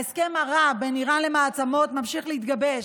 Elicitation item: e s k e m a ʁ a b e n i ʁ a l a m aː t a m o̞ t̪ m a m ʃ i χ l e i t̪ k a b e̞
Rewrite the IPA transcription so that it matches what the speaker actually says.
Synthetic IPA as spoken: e s k e m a ʁ a b e n i ʁ a l e m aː t͡s a m o̞ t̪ m a m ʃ i χ l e i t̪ ɡ a b e̞